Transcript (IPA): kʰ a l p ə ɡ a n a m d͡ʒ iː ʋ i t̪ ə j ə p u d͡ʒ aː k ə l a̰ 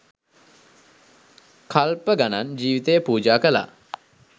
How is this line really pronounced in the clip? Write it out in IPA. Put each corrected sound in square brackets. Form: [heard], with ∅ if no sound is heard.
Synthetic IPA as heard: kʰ a l p ə ɡ a n a [n] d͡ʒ iː ʋ i t̪ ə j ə p [uː] d͡ʒ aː k ə l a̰